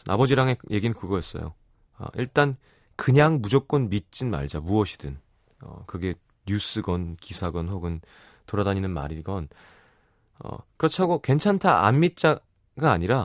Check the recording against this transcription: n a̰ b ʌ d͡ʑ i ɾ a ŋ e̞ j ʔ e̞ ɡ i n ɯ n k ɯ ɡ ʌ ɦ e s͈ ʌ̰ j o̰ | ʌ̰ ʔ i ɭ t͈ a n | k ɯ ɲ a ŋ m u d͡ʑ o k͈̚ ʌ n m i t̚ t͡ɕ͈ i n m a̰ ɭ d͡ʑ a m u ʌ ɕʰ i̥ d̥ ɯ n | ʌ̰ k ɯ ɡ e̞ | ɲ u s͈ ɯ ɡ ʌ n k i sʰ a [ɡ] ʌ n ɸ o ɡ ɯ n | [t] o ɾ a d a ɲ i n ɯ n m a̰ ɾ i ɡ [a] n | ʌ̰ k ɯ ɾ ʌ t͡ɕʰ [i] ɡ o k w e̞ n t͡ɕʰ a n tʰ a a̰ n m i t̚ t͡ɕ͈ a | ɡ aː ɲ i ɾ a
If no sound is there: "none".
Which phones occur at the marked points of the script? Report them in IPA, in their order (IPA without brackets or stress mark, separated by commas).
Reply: ɡ, t, ʌ, a